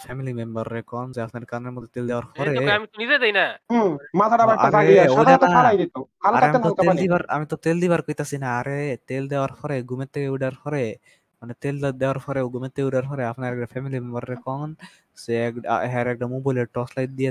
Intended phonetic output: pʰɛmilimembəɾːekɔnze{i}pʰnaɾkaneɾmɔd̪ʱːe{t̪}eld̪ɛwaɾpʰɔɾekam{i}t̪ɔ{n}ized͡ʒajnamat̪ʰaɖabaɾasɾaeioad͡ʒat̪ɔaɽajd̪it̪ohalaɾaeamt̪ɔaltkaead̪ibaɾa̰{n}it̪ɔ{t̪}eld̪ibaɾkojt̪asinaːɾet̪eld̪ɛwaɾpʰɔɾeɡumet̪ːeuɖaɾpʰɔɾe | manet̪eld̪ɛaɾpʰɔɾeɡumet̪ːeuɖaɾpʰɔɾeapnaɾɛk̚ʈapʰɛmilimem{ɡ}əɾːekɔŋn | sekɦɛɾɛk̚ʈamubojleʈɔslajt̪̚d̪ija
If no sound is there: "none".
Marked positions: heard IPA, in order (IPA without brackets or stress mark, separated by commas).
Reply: a, t̪, i, n, m, t̪, b